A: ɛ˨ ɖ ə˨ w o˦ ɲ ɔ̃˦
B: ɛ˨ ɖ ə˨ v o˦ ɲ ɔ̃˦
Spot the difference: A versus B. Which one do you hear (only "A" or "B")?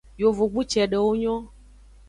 A